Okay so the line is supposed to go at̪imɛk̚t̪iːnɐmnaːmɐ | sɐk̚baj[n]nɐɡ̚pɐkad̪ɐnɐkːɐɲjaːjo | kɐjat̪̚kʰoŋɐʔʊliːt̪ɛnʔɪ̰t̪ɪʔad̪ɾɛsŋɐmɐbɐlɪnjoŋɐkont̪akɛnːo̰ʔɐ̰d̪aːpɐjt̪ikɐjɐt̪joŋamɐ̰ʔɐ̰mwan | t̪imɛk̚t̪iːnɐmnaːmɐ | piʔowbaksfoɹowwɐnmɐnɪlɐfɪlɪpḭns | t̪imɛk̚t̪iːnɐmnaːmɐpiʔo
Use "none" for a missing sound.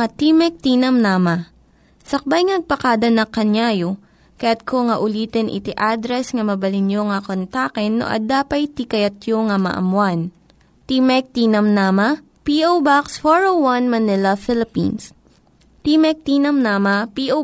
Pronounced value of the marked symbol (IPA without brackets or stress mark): ŋ